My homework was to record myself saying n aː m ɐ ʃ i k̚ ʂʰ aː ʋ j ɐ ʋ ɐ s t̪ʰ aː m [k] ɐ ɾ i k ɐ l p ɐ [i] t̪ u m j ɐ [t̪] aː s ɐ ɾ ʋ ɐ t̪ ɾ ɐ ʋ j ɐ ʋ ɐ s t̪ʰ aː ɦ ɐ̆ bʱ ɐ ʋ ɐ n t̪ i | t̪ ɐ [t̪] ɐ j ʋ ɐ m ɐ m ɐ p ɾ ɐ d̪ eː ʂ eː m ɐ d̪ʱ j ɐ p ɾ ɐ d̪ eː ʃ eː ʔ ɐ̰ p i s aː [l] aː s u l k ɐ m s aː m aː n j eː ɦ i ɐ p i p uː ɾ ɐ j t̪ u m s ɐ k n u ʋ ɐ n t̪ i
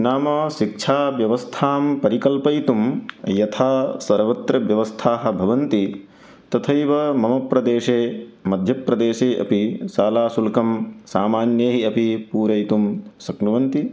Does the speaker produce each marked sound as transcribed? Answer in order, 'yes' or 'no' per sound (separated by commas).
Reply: no, no, no, no, yes